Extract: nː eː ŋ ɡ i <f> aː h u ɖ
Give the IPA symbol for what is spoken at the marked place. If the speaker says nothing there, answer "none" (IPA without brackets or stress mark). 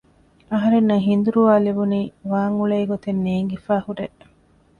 f